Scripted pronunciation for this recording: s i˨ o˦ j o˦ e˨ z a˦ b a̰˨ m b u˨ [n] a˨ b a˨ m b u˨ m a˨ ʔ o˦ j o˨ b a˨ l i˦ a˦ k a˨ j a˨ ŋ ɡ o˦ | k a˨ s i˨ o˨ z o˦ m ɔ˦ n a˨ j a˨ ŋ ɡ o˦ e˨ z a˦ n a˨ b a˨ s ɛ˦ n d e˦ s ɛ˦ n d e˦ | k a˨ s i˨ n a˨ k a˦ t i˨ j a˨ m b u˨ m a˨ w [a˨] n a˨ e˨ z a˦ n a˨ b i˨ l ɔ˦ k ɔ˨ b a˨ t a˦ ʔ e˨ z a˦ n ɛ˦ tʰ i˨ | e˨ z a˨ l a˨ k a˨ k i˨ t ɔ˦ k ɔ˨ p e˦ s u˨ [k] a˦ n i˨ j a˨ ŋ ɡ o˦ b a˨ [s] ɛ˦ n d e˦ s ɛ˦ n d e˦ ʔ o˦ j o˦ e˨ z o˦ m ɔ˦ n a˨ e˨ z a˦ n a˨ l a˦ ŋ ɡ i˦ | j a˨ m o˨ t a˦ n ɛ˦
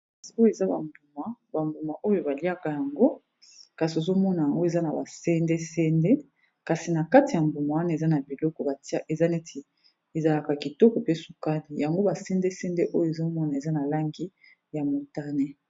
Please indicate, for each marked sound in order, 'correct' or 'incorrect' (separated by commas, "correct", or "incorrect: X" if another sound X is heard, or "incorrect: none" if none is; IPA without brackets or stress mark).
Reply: incorrect: m, incorrect: a˦, correct, correct